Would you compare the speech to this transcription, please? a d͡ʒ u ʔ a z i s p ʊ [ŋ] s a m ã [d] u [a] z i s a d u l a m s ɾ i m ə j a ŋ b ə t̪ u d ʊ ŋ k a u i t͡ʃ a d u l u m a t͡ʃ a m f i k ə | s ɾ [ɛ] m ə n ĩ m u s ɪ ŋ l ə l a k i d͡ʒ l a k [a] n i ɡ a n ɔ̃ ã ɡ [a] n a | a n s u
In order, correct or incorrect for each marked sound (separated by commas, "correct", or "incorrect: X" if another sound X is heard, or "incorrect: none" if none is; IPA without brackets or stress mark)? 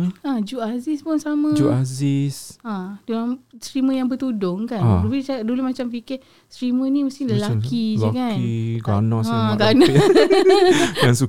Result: incorrect: n, incorrect: d͡ʒ, correct, incorrect: i, correct, correct